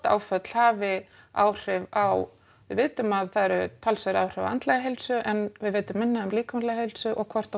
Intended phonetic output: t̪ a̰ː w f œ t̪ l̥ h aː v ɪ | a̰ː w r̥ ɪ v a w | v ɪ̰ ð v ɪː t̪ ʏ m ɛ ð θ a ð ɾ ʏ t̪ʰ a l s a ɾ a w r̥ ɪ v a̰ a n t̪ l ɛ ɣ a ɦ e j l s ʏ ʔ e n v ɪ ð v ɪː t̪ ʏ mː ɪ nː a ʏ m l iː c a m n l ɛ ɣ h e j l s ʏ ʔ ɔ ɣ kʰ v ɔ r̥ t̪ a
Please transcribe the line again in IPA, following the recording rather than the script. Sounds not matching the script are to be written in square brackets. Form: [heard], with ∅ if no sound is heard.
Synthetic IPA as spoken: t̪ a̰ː w f œ t̪ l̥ h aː v ɪ | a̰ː w r̥ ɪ v a w | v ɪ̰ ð v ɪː t̪ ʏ m [a] ð θ a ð ɾ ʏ t̪ʰ a l s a ɾ a w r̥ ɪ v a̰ a n t̪ l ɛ ɣ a ɦ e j l s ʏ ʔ [ɛ] n v ɪ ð v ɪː t̪ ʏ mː ɪ nː a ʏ m l iː [k] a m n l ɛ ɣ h e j l s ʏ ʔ ɔ ɣ kʰ v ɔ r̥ t̪ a